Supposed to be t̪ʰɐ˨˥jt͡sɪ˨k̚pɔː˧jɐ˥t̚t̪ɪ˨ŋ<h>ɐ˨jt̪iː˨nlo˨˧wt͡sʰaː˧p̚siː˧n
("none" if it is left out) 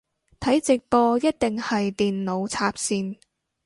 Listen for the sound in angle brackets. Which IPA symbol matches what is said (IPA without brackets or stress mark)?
h